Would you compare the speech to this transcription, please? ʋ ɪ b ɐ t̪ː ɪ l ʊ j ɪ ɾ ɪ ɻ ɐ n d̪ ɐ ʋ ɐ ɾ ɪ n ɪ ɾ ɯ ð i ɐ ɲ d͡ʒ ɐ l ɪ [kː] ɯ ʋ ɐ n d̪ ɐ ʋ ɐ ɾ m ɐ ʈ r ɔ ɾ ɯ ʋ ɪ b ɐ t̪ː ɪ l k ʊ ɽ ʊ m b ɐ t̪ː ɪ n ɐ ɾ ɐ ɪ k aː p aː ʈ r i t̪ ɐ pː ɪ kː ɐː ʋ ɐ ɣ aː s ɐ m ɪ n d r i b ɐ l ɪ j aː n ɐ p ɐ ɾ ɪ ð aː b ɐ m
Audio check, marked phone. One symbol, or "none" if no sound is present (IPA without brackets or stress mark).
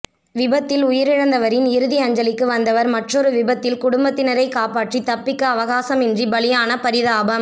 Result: kː